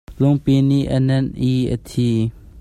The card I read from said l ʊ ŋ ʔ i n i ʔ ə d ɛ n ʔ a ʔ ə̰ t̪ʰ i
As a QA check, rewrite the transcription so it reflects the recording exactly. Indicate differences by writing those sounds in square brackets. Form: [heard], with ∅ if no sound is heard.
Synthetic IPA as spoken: l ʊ ŋ [p] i n i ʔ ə [n] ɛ n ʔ [i] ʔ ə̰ t̪ʰ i